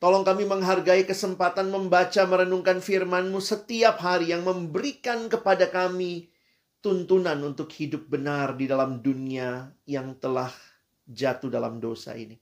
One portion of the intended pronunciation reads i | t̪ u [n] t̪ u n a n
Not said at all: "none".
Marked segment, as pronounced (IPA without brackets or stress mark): n